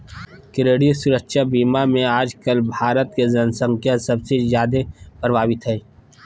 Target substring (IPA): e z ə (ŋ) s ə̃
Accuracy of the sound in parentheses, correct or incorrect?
incorrect